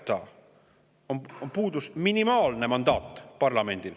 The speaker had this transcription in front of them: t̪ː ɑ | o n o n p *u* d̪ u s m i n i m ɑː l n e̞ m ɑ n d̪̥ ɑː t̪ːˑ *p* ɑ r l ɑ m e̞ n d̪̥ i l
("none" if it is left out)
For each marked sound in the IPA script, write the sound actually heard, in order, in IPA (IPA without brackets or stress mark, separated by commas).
uː, p